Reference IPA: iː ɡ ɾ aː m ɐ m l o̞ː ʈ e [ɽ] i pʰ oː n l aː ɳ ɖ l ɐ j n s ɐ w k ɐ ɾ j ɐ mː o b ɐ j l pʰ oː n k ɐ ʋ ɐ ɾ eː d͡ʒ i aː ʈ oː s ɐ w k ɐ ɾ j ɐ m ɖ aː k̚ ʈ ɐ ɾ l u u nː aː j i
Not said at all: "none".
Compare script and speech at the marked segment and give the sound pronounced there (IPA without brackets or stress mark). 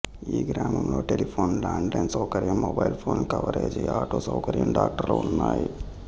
l